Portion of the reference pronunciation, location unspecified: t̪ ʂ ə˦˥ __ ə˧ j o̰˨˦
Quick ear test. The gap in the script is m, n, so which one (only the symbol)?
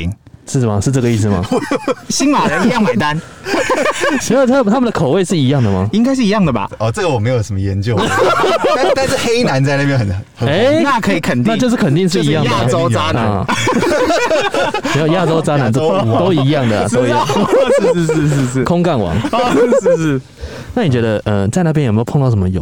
m